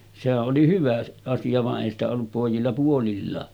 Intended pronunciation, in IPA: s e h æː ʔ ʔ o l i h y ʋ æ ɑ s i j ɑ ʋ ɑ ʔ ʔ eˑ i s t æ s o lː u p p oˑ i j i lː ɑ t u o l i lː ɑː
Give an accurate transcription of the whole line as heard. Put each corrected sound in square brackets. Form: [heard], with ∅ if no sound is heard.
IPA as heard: s e h [æ] ʔ ʔ o l i h y ʋ æ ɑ s i j ɑ ʋ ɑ ʔ ʔ eˑ i s t æ [∅] o lː u p p oˑ i j i lː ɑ [p] u o l i lː ɑː

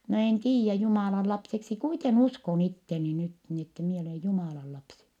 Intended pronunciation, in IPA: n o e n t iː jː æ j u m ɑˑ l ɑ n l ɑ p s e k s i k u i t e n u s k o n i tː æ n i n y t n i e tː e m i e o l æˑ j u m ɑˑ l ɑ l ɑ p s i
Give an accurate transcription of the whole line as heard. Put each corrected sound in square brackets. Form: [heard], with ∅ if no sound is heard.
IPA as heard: n o e n t iː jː æ j u m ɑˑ l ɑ n l ɑ p s e k s i k u i t e n u s k o n i tː [e] n i n y t n i e tː e m i e o l [eˑ] j u m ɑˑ l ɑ l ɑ p s i

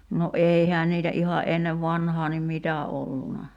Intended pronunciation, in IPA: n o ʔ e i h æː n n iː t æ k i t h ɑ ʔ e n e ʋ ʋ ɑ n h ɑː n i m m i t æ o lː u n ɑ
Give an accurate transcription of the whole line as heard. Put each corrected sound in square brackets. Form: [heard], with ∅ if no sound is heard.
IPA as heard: n o ʔ e i h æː n n iː t æ [ʔ] i [∅] h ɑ ʔ e [nː] e ʋ ʋ ɑ n h ɑː n i m m i t æ o lː u n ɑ

